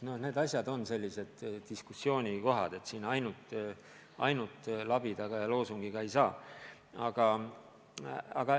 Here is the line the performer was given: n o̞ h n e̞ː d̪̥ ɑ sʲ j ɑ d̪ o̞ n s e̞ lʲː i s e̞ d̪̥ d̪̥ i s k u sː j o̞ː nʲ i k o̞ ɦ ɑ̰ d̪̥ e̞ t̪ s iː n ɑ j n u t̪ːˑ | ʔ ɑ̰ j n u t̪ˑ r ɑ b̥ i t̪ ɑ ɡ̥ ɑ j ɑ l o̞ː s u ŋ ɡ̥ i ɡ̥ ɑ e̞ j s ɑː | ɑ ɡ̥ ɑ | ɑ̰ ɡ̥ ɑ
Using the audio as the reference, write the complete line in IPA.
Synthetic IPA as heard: n o̞ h n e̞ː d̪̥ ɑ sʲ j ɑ d̪ o̞ n s e̞ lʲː i s e̞ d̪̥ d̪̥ i s k u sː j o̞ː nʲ i k o̞ ɦ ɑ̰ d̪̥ e̞ t̪ s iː n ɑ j n u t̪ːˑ | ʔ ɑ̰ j n u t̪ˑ l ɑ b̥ i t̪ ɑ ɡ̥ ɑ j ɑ l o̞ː s u ŋ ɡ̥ i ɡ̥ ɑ e̞ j s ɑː | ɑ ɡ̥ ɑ | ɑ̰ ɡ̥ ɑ

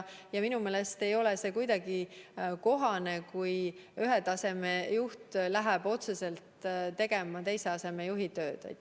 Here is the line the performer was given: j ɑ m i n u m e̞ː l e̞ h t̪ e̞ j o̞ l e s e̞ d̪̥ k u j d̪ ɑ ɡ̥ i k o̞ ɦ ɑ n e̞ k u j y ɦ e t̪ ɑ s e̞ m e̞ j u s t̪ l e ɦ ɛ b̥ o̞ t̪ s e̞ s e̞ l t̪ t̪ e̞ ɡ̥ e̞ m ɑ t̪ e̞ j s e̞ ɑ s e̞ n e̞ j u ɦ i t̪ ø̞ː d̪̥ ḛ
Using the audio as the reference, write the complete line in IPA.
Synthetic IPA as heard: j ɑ m i n u m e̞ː l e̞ s t̪ e̞ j o̞ l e s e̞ k u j d̪ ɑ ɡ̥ i k o̞ ɦ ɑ n e̞ k u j y ɦ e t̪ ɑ s e̞ m e̞ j u h t̪ l æ ɦ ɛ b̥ o̞ t̪ s e̞ s e̞ l t̪ t̪ e̞ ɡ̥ e̞ m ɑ t̪ e̞ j s e̞ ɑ s e̞ m e̞ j u ɦ i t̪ ø̞ː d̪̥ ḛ

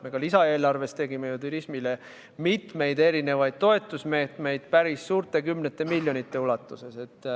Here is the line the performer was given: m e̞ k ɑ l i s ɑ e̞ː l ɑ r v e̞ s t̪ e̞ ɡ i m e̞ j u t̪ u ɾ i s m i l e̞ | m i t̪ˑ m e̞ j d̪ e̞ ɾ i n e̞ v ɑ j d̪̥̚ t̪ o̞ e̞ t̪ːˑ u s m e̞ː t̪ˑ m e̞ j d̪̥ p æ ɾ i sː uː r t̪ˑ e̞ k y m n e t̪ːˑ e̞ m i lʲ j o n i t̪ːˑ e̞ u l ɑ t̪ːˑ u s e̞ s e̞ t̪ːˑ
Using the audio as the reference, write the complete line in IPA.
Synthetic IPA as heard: m e̞ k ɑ l i s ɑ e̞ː l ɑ r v e̞ s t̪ e̞ ɡ i m e̞ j u t̪ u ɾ i s m i l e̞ | m i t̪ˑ m e̞ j d̪ e̞ ɾ i n e̞ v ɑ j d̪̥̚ t̪ o̞ e̞ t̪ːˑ u s m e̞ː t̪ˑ m e̞ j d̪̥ p æ ɾ i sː uː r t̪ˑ e̞ k y m n e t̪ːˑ e̞ m i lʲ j o n i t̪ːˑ e̞ u l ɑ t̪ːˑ u s e̞ s e̞ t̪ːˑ

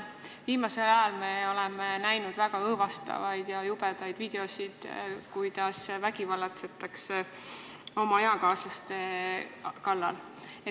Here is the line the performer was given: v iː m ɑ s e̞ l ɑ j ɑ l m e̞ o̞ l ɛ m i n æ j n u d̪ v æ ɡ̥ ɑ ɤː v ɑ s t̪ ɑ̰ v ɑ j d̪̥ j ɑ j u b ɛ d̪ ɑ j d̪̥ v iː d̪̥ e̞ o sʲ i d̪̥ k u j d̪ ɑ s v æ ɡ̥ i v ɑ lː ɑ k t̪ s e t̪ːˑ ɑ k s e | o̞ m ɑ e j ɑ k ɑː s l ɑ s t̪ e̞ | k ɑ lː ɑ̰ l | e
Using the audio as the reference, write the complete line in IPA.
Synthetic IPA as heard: v iː m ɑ s e̞ l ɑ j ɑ l m e̞ o̞ l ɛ m e n æ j n u d̪ v æ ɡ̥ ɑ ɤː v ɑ s t̪ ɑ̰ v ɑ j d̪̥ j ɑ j u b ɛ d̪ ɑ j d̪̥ v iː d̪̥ e̞ o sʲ i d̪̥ k u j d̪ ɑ s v æ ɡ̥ i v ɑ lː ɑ t̪ s e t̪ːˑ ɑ k s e | o̞ m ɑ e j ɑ k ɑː s l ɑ s t̪ e̞ | k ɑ lː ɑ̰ l | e

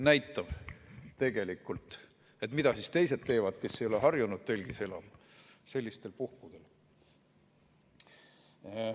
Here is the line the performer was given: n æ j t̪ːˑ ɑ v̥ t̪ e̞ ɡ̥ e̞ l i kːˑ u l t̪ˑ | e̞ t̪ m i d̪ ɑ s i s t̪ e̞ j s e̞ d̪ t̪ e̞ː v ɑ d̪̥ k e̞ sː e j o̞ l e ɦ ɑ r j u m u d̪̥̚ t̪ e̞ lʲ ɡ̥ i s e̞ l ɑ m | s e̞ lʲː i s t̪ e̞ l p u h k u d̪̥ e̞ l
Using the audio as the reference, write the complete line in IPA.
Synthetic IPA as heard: n æ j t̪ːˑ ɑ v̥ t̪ e̞ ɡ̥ e̞ l i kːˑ u l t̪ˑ | e̞ t̪ m i d̪ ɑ s i s t̪ e̞ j s e̞ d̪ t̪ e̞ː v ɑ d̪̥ k e̞ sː e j o̞ l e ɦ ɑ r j u n u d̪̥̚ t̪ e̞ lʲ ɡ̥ i s e̞ l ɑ m | s e̞ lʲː i s t̪ e̞ l p u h k u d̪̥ e̞ l

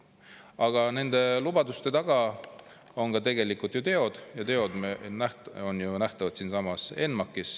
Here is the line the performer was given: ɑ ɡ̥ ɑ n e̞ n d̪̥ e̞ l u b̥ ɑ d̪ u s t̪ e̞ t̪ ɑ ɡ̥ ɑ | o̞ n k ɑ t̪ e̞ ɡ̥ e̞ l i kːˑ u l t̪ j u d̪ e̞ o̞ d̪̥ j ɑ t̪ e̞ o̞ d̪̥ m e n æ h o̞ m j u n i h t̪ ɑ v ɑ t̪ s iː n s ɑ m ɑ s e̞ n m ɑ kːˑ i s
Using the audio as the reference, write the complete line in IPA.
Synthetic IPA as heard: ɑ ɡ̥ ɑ n e̞ n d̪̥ e̞ l u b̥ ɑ d̪ u s t̪ e̞ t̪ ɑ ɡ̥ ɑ | o̞ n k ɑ t̪ e̞ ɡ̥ e̞ l i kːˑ u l t̪ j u t̪ e̞ o̞ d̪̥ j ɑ t̪ e̞ o̞ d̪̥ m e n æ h o̞ n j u n æ h t̪ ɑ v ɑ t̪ s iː n s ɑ m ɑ s e̞ n m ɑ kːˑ i s

